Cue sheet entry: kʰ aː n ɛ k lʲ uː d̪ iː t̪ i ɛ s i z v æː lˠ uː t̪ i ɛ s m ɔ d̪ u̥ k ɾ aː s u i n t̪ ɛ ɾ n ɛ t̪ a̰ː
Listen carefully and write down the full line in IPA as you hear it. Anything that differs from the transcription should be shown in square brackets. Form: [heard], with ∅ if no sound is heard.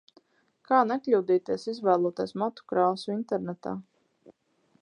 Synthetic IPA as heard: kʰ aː n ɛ k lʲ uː d̪ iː t̪ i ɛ s i z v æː lˠ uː t̪ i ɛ s m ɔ [t̪] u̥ k ɾ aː s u i n t̪ ɛ ɾ n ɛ t̪ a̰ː